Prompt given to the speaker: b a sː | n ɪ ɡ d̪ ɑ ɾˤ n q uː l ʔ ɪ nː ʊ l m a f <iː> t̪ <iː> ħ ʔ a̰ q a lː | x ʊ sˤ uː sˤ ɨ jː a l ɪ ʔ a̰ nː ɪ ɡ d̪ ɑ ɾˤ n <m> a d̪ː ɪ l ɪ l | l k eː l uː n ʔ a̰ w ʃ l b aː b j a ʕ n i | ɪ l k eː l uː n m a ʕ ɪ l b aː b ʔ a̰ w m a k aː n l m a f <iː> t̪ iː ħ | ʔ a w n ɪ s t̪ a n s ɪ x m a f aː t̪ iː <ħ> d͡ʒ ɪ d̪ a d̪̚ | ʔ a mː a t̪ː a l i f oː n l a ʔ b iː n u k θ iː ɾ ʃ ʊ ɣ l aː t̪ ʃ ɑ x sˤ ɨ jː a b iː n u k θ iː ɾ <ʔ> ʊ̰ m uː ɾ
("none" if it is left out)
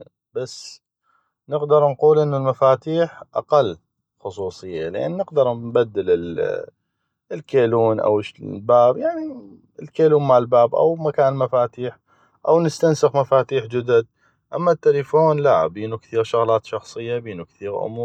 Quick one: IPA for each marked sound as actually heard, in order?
aː, iː, b, aː, ħ, ʔ

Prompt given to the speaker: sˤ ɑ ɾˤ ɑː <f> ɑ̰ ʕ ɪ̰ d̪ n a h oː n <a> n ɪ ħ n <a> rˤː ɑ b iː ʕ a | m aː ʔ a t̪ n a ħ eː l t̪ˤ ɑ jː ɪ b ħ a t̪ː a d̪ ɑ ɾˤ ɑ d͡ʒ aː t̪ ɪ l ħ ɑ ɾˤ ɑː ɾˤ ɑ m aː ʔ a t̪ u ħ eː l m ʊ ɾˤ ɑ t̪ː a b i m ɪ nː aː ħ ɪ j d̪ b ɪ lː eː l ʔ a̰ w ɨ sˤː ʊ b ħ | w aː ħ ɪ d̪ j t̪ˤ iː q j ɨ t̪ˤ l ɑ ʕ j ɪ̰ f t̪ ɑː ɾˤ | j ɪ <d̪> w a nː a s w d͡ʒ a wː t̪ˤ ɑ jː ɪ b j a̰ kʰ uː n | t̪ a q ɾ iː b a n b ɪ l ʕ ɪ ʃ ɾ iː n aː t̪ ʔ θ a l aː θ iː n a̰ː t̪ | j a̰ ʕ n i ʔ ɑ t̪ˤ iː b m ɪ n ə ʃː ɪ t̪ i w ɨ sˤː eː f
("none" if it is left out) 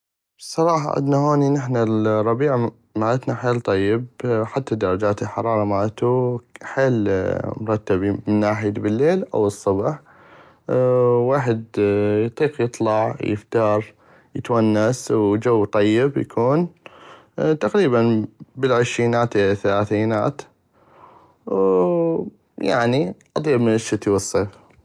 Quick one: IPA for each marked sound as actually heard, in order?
ħ, i, a, t̪

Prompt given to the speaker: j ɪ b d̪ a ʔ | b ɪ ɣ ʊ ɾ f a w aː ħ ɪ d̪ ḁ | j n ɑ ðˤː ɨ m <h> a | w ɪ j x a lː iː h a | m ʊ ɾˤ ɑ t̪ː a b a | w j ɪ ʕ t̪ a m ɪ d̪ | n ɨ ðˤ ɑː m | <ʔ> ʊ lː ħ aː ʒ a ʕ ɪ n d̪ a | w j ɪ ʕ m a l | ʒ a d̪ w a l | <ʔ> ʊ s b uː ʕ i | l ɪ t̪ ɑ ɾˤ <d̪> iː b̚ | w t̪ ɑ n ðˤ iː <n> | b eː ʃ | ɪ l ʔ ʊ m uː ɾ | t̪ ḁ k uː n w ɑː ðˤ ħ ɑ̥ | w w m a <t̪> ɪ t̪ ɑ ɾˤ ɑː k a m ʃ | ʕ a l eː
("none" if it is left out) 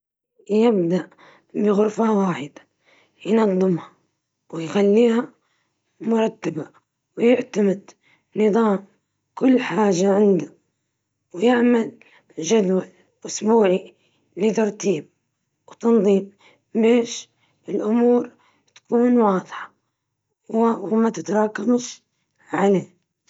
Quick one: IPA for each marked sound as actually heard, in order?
h, k, ʔ, t̪, m, t̪

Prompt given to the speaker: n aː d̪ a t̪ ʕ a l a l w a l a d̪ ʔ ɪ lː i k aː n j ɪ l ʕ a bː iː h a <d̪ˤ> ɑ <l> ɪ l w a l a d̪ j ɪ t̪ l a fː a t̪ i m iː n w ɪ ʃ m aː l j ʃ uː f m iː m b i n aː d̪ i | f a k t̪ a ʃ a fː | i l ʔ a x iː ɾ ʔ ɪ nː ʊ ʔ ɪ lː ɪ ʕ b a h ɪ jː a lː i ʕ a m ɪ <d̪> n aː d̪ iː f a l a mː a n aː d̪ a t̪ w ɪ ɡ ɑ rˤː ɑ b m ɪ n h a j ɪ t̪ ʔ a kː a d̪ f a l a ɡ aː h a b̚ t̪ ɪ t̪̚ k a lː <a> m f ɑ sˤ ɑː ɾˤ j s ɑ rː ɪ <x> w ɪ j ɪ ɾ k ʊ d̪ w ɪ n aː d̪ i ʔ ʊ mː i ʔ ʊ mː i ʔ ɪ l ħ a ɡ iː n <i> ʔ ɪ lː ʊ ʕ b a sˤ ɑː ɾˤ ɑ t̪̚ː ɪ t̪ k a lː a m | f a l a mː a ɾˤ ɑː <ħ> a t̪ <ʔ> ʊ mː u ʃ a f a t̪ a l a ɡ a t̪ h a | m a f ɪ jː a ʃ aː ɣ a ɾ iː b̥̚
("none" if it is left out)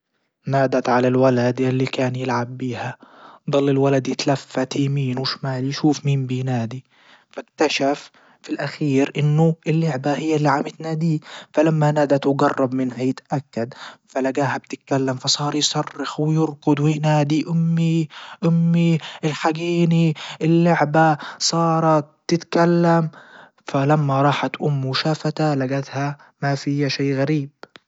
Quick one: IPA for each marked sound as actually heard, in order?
d̪ˤ, lː, t̪, a, x, i, ħ, ʔ

